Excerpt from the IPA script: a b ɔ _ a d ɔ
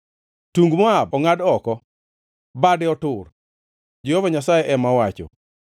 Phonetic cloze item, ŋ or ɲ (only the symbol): ŋ